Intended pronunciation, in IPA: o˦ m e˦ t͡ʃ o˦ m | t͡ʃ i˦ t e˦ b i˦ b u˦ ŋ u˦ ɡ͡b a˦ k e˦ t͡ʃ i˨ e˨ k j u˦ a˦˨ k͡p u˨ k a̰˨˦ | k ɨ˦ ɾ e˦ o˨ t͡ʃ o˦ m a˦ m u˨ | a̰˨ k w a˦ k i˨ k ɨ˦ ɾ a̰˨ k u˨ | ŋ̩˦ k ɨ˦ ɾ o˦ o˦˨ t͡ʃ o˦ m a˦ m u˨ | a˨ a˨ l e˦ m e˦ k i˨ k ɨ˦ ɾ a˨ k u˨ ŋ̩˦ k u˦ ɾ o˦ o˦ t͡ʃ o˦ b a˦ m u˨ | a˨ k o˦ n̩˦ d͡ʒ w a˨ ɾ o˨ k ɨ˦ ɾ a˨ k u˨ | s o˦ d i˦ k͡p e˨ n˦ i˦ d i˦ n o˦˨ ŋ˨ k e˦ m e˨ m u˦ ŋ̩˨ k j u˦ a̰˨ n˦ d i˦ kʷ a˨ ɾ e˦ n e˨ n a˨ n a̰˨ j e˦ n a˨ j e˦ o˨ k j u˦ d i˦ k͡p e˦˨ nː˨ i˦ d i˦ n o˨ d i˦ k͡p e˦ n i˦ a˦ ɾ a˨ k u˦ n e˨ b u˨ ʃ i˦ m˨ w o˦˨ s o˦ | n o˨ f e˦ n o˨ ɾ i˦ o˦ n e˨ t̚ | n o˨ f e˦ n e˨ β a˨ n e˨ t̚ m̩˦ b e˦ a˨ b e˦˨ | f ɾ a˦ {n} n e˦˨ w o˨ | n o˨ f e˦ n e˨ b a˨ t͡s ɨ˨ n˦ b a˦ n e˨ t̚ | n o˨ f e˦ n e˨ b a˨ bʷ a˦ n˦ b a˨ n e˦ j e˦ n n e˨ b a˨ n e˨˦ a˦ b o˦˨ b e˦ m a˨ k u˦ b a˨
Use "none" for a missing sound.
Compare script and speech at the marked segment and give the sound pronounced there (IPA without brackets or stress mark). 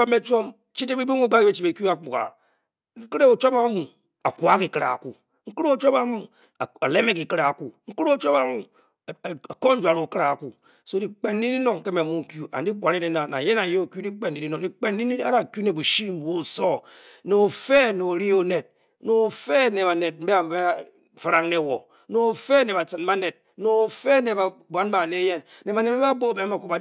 ŋ